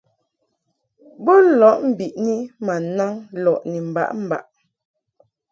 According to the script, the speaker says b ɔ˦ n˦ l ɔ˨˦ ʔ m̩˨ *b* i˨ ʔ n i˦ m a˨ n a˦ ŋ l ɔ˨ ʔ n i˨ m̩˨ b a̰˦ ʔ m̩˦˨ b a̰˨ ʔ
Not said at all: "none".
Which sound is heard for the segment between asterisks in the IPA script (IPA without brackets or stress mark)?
b